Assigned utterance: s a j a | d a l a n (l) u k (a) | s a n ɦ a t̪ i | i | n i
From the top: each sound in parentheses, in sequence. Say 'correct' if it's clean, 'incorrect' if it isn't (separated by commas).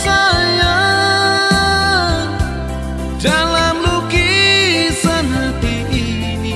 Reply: correct, incorrect